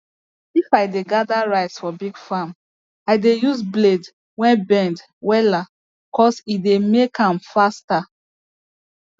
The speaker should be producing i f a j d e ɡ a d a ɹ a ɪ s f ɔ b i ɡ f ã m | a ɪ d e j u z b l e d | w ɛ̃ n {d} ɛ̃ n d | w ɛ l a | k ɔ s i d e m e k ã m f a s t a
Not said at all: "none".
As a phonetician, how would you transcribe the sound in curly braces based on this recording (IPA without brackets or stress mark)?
b